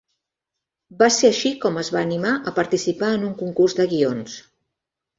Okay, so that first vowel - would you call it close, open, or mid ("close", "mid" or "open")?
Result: open